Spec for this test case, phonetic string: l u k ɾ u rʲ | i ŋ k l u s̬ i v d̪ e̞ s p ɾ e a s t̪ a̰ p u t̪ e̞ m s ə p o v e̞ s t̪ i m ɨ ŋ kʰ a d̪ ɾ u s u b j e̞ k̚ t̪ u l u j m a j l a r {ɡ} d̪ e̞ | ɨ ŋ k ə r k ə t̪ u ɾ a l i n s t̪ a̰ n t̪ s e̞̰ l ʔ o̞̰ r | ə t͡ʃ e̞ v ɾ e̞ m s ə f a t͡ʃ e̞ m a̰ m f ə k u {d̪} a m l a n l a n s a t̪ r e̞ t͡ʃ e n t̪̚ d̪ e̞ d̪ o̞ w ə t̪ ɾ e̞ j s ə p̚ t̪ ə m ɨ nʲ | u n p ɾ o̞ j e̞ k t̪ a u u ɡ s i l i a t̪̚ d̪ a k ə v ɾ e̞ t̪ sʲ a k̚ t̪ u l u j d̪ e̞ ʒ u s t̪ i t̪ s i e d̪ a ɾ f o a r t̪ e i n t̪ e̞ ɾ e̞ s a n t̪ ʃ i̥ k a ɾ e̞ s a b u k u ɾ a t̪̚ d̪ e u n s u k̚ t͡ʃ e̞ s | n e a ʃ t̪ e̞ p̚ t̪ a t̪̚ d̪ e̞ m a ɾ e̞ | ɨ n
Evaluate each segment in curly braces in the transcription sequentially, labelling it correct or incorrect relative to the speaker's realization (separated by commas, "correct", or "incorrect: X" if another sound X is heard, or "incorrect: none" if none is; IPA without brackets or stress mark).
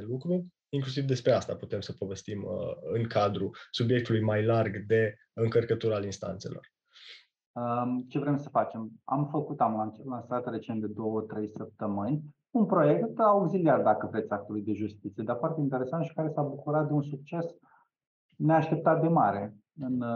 correct, incorrect: t̪